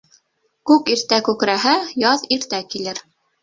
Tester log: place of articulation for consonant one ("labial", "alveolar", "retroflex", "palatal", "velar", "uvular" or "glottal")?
velar